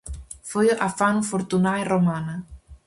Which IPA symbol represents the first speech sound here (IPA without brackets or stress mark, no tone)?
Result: f